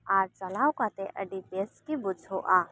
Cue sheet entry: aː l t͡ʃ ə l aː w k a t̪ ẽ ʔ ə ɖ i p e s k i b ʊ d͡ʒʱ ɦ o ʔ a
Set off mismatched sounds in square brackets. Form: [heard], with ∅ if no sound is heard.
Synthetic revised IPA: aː [ɾ] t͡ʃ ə l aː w k a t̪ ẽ ʔ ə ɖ i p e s k i b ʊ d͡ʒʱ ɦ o ʔ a

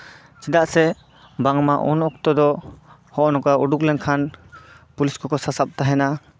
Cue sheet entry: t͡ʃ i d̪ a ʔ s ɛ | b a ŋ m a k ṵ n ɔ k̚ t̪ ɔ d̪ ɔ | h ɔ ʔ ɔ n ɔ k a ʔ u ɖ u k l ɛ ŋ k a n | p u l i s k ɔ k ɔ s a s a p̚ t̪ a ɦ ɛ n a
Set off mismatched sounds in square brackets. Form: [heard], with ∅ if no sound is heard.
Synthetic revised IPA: t͡ʃ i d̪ a ʔ s ɛ | b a ŋ m a [ʔ] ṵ n ɔ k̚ t̪ ɔ d̪ ɔ | h ɔ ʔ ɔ n ɔ k a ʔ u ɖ u k l ɛ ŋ [kʰ] a n | p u l i s k ɔ k ɔ s a s a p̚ t̪ a ɦ ɛ n a

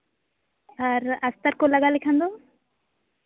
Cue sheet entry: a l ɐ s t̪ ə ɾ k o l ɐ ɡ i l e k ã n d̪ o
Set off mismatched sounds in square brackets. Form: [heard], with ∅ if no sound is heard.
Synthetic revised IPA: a [ɾ] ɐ s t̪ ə ɾ k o l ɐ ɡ [a] l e [kʰ] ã n d̪ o

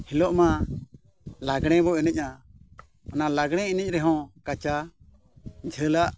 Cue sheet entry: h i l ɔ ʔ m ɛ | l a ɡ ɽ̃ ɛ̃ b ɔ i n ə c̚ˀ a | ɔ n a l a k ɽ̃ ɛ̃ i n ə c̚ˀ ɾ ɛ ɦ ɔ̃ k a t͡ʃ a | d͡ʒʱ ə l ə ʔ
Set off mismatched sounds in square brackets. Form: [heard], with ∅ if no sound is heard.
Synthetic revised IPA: h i l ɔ ʔ m [a] | l a ɡ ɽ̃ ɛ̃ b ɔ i n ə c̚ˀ a | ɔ n a l a [ɡ] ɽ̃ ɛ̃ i n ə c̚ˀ ɾ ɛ ɦ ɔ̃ k a t͡ʃ a | d͡ʒʱ ə l [a] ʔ

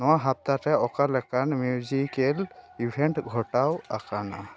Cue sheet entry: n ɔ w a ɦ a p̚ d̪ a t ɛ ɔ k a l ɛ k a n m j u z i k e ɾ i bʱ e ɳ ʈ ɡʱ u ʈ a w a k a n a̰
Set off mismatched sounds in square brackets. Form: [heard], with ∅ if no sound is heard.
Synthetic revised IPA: n ɔ w a ɦ a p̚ [t̪] a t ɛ ɔ k a l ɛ k a n m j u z i k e [l] i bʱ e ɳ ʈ ɡʱ [ɔ] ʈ a w a k a n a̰

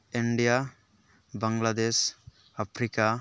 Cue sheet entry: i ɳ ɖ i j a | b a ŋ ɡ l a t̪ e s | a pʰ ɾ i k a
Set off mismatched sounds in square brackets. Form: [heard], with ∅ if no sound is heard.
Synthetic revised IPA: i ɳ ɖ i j a | b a ŋ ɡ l a [d̪] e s | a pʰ ɾ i k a

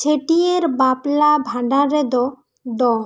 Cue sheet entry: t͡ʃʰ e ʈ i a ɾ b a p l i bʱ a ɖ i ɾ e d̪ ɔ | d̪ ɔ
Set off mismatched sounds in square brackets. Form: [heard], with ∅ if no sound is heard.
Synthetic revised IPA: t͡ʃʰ e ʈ i [e] ɾ b a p l [a] bʱ a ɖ [a] ɾ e d̪ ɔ | d̪ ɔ

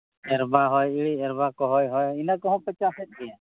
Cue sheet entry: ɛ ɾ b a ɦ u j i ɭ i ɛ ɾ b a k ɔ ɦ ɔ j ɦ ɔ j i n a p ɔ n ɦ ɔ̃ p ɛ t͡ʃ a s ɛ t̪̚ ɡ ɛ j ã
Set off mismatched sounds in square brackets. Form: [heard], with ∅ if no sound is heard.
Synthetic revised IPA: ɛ ɾ b a ɦ [ɔ] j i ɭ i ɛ ɾ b a k ɔ ɦ ɔ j ɦ ɔ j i n a [k] ɔ [∅] ɦ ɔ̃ p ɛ t͡ʃ a s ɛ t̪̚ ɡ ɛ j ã

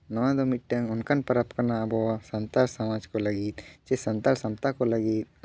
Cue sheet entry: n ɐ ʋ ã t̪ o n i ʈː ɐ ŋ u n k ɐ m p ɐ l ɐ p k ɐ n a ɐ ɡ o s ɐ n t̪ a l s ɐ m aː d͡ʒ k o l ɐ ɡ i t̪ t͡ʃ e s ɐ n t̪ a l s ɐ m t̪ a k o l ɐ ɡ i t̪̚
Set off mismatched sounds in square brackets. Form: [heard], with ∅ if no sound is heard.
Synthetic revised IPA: n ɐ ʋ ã [d̪] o [m] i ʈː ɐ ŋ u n k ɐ [n] p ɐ [ɾ] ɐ p k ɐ n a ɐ [b] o s ɐ n t̪ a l s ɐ m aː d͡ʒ k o l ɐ ɡ i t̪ t͡ʃ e s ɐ n t̪ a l s ɐ m t̪ a k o l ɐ ɡ i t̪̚

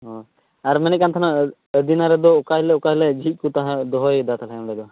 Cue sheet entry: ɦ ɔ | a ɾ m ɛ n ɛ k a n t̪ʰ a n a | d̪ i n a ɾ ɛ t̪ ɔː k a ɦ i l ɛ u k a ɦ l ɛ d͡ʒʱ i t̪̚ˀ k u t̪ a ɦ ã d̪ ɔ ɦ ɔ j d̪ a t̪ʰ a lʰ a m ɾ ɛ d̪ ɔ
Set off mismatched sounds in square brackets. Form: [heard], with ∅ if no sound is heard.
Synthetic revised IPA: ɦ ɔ | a ɾ m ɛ n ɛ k a n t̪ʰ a n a | d̪ i n a ɾ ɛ [d̪] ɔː k a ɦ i l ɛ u k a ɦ l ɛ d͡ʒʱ i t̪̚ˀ k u t̪ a ɦ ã d̪ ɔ ɦ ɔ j d̪ a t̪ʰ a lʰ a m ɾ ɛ d̪ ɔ

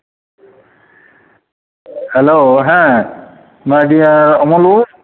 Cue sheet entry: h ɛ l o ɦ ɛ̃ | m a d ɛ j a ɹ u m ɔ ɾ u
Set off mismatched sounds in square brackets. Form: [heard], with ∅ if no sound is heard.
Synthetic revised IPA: h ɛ l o ɦ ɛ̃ | m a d [i] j a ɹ [ɔ] m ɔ [l] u

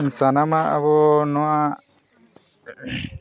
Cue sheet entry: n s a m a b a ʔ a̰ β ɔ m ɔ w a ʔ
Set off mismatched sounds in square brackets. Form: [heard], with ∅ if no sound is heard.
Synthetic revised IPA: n s a [n] a [m] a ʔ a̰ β ɔ [n] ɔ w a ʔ

